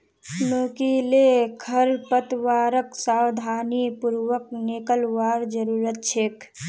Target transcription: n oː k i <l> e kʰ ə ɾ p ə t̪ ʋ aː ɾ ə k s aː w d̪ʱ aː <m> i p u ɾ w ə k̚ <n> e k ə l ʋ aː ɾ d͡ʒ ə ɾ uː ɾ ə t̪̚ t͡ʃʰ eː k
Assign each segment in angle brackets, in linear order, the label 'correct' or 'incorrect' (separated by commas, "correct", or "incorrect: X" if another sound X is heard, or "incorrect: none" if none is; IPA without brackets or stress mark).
correct, incorrect: n, correct